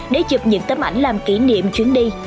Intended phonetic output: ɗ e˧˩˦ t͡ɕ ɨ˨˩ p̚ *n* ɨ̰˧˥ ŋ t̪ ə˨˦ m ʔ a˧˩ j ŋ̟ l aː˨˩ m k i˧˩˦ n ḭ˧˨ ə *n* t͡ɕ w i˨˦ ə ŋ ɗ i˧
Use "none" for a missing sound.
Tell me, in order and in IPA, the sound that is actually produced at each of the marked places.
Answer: ɲ, m

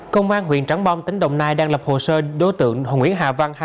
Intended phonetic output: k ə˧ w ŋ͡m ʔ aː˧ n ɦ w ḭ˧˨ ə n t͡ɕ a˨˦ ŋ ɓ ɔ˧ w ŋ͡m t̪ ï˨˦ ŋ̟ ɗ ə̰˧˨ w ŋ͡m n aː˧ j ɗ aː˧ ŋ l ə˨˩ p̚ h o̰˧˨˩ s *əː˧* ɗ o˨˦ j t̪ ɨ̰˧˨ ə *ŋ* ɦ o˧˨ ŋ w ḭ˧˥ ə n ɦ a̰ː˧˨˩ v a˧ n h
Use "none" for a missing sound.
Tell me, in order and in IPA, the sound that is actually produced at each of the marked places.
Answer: əː˧, ŋ

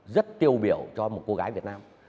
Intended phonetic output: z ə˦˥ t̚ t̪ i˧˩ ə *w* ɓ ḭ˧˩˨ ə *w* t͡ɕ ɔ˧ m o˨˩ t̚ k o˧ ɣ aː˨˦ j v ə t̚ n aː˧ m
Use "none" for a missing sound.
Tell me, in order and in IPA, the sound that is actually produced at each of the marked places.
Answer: w, w

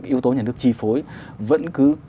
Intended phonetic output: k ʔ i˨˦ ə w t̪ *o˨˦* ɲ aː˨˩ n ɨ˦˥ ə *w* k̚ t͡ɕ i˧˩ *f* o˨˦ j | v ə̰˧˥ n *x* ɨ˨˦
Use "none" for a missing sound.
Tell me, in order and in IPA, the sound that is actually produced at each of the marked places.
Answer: o˨˦, none, f, k

